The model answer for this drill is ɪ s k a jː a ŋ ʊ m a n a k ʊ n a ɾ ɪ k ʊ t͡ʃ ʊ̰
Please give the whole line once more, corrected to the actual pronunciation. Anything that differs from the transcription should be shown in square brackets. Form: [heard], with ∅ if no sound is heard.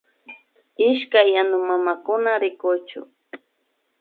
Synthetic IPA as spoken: ɪ [ʃ] k a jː a [n] ʊ m a [m] a k ʊ n a ɾ ɪ k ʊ t͡ʃ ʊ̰